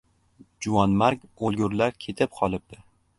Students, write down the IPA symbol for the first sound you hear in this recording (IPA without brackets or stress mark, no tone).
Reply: d͡ʒ